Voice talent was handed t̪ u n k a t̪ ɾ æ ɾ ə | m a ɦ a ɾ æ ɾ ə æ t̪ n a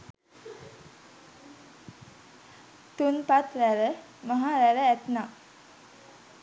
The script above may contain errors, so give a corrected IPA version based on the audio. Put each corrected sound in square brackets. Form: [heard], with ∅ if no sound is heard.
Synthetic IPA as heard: t̪ u n [p] a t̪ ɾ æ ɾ ə | m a ɦ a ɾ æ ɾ ə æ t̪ n a